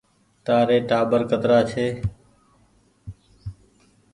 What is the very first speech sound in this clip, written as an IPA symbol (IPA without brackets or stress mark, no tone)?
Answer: t̪